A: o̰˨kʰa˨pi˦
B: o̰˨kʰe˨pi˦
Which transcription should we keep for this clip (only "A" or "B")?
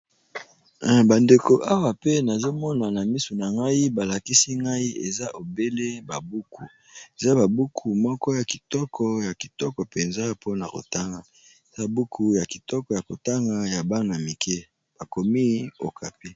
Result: A